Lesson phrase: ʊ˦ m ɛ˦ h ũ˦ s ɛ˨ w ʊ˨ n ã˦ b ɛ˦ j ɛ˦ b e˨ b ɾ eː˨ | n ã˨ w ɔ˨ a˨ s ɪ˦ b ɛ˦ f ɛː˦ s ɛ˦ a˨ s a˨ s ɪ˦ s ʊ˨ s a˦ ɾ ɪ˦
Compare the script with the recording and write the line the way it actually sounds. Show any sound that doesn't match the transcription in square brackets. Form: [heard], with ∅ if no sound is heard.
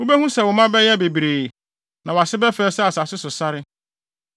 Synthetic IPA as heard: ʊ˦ [b] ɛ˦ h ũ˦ s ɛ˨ w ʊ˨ [m] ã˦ b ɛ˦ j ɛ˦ b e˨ b ɾ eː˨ | n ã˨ w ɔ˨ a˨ s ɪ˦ b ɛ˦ f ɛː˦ s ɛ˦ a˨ s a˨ s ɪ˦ s ʊ˨ s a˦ ɾ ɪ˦